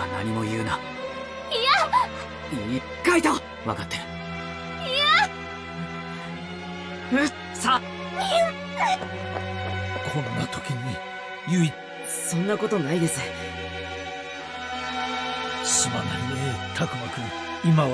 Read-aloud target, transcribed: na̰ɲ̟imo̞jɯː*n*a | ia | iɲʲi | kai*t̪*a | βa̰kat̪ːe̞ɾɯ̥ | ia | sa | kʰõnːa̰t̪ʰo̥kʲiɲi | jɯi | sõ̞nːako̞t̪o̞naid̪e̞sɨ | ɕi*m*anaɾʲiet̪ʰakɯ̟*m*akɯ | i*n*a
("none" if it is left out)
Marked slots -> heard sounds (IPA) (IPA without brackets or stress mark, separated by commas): n, t̪, m, m, m